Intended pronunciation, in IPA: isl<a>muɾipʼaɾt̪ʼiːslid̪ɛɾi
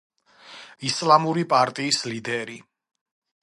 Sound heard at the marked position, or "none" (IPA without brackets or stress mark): a